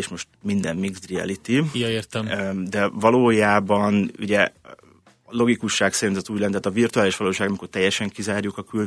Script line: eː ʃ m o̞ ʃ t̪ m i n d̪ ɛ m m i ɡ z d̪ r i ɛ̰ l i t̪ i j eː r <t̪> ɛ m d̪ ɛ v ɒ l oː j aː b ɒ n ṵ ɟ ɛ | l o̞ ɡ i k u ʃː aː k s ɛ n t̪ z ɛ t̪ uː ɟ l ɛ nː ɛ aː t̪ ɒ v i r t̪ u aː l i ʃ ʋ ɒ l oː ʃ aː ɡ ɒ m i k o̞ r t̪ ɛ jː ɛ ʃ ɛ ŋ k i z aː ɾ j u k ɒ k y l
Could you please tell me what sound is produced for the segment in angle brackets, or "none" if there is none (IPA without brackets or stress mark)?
t̪